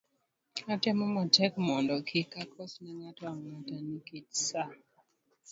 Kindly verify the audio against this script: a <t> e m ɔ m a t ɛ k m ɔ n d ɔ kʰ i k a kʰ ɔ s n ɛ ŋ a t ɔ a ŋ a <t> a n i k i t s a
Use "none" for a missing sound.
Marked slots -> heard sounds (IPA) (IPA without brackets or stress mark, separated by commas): t, t